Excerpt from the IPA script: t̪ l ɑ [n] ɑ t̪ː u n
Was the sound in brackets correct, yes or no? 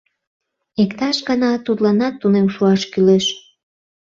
yes